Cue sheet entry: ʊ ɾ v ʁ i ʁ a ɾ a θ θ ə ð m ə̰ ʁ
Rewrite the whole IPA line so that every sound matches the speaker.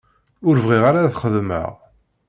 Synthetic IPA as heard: ʊ ɾ v ʁ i ʁ a ɾ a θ χ ə ð m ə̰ ʁ